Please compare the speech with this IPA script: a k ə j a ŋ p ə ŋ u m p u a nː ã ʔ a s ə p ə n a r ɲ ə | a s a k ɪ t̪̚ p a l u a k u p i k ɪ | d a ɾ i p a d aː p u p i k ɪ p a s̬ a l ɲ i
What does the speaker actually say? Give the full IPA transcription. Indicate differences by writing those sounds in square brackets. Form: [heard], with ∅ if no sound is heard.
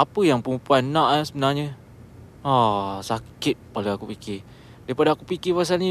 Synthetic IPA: a [p] ə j a ŋ p ə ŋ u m p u a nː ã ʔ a s ə [b] ə n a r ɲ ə | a s a k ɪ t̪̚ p a l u a k u p i k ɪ | d a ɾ i p a d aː [k] u p i k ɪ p a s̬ a l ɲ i